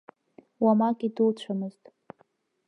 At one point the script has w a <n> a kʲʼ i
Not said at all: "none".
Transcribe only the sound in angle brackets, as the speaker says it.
m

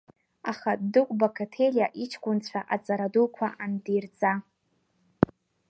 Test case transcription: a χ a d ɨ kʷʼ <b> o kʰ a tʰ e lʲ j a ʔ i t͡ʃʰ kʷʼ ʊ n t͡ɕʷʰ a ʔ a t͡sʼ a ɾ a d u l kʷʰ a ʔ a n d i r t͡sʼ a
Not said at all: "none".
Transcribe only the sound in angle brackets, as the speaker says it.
b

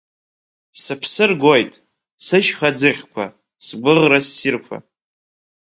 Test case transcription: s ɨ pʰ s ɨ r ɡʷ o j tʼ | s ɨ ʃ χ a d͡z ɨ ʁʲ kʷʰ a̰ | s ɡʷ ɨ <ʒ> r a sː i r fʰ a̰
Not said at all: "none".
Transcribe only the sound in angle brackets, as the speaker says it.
ʁ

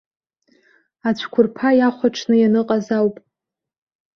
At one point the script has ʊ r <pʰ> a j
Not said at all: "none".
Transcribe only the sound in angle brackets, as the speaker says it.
pʰ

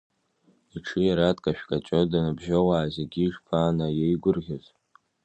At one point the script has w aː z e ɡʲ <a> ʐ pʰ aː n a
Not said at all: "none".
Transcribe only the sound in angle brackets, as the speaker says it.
i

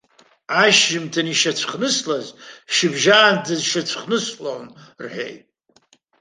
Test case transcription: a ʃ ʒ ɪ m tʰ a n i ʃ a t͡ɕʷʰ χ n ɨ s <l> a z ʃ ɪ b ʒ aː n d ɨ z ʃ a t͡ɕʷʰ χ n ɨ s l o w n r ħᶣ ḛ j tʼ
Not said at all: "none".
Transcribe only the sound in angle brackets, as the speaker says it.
l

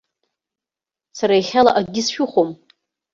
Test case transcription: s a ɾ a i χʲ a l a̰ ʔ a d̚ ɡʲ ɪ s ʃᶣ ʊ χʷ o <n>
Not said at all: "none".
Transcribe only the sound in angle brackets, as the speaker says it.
m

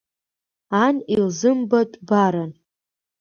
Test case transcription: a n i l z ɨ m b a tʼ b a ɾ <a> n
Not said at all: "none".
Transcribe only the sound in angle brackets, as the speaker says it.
a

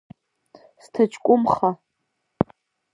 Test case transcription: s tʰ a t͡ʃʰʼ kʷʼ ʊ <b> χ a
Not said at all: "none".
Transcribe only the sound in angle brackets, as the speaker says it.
m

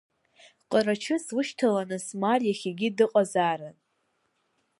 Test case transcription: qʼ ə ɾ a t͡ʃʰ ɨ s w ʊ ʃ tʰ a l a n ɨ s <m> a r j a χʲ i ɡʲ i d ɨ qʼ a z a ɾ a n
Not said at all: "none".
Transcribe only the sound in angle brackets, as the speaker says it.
m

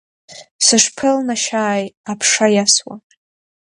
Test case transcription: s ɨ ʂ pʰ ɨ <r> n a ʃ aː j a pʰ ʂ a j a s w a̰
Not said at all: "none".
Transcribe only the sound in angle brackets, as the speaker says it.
l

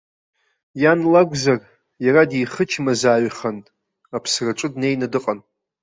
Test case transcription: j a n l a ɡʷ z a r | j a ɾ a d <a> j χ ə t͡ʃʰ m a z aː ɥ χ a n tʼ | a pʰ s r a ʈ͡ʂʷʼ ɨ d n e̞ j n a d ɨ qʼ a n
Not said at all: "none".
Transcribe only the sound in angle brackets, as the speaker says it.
i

